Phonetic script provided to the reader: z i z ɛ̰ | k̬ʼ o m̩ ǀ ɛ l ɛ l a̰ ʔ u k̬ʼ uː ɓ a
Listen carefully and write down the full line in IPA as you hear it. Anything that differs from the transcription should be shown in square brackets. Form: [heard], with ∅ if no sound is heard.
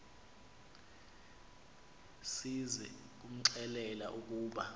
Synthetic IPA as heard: [s] i z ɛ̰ | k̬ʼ [u] m̩ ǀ ɛ l ɛ l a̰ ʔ u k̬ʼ uː ɓ a